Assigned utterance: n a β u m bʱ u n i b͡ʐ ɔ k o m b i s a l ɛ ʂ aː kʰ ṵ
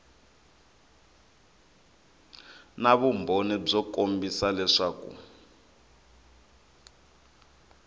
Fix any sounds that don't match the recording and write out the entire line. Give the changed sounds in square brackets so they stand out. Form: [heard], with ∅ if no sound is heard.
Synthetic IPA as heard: n a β u m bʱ [o] n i b͡ʐ ɔ k o m b i s a l ɛ ʂ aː [k] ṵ